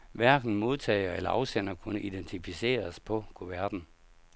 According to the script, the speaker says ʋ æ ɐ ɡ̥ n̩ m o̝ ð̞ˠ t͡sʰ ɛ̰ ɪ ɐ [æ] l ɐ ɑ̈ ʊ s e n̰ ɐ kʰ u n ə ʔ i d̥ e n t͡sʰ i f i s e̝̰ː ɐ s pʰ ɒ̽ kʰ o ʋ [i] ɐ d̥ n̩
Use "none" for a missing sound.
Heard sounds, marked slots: e, æ

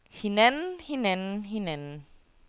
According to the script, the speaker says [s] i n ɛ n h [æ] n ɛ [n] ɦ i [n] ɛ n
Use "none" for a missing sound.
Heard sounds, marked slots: h, i, n, n

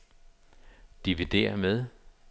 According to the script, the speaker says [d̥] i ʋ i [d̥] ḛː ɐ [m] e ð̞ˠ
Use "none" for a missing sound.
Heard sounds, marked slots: d̥, d̥, m

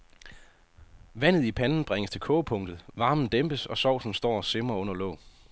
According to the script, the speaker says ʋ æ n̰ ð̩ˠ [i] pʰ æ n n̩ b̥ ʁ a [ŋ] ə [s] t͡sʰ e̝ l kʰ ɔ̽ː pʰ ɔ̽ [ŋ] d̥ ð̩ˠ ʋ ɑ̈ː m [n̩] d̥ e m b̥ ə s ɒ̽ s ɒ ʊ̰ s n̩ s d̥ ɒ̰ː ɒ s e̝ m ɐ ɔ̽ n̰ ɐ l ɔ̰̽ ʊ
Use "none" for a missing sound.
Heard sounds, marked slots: i, ŋ, s, ŋ, n̩

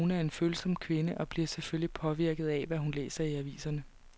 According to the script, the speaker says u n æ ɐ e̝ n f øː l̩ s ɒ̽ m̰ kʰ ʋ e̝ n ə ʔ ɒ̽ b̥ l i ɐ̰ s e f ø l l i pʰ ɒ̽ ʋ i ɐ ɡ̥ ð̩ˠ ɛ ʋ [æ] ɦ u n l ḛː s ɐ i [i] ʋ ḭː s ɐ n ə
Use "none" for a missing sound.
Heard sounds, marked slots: æ, æ

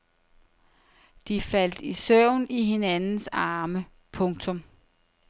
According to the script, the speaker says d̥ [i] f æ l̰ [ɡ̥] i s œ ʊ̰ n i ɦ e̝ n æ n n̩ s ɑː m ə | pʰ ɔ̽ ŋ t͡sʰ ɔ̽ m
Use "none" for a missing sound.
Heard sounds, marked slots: i, d̥

